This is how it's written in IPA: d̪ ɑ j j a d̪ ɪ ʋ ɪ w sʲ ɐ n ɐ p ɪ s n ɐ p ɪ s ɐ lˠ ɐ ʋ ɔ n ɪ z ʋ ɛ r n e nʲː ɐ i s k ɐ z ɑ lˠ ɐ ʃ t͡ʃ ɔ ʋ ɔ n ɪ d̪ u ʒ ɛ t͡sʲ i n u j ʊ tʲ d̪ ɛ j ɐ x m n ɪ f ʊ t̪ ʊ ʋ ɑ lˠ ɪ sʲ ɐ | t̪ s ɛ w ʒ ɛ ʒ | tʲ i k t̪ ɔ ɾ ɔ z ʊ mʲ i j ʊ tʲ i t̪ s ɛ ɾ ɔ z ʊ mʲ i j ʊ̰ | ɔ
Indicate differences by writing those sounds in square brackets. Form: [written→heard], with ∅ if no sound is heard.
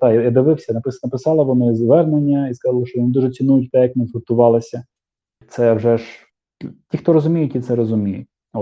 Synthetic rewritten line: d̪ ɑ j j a d̪ ɪ ʋ ɪ w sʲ ɐ n ɐ p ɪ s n ɐ p ɪ s [ɐ→ɑ] lˠ ɐ ʋ ɔ n ɪ z ʋ ɛ r n e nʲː ɐ i s k ɐ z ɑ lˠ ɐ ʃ t͡ʃ ɔ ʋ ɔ n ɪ d̪ u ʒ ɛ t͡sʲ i n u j ʊ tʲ [d̪→t̪] ɛ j ɐ [x→k] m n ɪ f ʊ t̪ ʊ ʋ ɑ lˠ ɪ sʲ ɐ | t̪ s ɛ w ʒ ɛ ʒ | tʲ i [k→x] t̪ ɔ ɾ ɔ z ʊ mʲ i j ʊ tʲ i t̪ s ɛ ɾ ɔ z ʊ mʲ i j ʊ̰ | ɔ